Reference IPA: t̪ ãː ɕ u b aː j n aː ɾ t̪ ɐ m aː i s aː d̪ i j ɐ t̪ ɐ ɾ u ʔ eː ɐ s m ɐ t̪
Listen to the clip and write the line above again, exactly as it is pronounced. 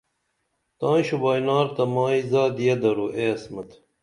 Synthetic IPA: t̪ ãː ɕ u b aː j n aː ɾ t̪ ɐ m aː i z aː d̪ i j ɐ d̪ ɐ ɾ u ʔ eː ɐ s m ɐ t̪